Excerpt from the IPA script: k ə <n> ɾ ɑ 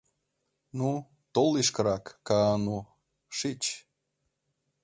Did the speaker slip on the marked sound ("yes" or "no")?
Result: yes